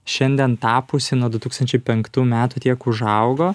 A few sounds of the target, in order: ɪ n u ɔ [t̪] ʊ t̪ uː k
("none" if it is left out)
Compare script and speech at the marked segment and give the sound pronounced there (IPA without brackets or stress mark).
d̪